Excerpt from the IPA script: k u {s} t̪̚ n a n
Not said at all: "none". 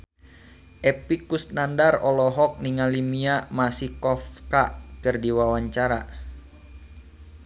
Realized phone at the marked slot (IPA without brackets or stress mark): s